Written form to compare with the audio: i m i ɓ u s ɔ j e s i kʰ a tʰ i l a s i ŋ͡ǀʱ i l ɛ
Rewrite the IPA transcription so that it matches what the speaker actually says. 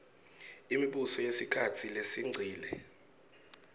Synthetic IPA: i m i ɓ u s ɔ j e s i kʰ a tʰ i l e s i ŋ͡ǀʱ iː l ɛ